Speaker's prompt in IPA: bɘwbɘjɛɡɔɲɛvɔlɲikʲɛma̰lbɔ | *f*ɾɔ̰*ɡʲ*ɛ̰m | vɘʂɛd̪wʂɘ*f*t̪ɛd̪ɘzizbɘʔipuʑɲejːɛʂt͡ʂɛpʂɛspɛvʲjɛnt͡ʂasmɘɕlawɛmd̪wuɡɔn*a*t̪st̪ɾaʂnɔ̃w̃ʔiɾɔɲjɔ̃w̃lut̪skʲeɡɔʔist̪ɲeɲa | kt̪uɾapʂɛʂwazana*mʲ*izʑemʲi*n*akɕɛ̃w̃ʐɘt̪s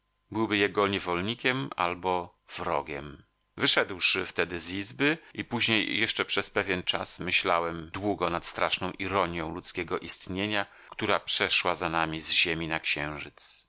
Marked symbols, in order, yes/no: no, yes, yes, yes, yes, yes

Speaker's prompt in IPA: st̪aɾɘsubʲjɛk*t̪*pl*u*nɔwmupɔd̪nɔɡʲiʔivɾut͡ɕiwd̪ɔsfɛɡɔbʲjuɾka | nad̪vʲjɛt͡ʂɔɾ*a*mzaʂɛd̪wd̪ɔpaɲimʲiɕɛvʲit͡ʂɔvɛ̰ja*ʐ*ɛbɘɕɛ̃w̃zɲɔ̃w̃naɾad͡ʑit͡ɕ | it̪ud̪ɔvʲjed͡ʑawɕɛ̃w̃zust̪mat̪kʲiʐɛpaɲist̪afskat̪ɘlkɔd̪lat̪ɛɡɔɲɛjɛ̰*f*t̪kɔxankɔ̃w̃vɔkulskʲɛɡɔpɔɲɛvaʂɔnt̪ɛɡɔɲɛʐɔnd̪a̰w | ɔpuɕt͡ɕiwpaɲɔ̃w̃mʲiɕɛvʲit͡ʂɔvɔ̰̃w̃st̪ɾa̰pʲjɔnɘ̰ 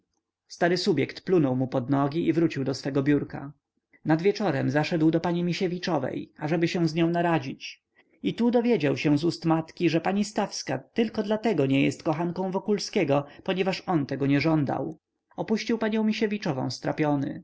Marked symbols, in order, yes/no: yes, yes, no, yes, no

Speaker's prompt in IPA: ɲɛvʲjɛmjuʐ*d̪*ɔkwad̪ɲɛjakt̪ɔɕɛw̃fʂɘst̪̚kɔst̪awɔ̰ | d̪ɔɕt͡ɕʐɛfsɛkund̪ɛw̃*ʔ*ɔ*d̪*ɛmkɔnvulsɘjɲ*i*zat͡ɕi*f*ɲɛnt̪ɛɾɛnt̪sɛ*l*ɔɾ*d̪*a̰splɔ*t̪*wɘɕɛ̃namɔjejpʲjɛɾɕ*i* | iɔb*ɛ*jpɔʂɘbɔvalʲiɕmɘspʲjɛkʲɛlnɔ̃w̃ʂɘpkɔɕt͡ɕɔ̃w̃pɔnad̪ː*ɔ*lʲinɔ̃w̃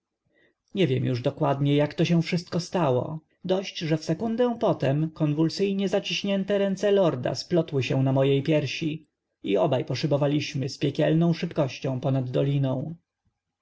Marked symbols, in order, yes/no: yes, no, no, no, no, yes, yes, yes, yes, no, yes

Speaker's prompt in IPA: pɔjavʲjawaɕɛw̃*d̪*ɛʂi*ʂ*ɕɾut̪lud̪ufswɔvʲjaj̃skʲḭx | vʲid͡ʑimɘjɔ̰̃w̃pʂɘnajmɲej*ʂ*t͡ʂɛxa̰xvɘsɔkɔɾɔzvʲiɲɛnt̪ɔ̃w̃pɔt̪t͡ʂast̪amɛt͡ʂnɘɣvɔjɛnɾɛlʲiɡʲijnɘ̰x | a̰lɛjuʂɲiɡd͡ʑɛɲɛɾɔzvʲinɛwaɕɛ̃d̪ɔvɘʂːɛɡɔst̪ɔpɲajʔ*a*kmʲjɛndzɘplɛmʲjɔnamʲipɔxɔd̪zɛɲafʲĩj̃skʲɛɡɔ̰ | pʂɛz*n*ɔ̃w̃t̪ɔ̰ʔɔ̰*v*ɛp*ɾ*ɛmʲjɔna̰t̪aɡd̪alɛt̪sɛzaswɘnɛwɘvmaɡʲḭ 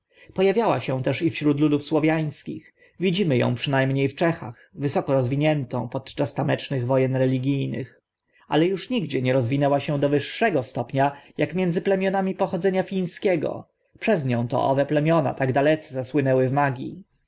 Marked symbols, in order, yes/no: no, no, no, yes, no, yes, no

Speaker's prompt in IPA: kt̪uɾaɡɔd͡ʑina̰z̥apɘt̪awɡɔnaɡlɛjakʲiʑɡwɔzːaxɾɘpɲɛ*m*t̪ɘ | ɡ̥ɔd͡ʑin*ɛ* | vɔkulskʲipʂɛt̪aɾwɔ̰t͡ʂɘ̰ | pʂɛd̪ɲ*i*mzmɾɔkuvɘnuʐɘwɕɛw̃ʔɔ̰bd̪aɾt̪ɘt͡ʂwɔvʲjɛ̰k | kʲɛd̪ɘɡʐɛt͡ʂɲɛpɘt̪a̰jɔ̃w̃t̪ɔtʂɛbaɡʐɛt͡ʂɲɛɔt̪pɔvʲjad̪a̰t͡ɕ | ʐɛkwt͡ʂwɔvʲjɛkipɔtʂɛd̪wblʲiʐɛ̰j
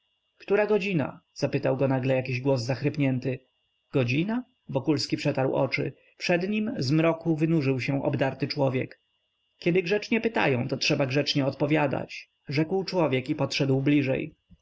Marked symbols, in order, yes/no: no, no, yes

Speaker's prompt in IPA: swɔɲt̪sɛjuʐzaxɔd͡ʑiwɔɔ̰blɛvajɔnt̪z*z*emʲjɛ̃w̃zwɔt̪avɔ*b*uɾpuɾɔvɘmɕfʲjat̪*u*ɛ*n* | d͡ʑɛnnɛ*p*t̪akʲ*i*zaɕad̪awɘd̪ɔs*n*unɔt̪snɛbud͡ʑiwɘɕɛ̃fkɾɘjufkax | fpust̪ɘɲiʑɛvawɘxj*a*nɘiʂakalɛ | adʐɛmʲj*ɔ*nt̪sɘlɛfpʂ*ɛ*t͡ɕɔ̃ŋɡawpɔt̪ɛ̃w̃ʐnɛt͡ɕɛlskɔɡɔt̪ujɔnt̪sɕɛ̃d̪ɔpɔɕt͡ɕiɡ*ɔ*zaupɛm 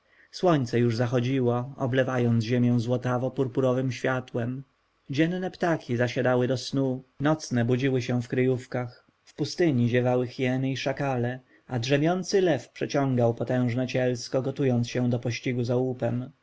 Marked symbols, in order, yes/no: no, no, no, no, yes, yes, yes, no, yes, yes, no

